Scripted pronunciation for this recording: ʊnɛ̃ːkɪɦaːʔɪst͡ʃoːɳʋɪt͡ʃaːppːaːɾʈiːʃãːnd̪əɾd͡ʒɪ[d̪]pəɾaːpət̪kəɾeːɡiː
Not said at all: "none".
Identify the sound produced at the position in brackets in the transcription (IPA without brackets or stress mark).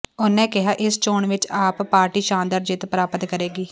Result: t̪